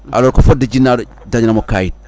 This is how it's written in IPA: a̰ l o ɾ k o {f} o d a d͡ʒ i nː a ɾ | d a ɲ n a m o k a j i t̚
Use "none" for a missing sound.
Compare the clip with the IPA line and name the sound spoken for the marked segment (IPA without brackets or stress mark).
f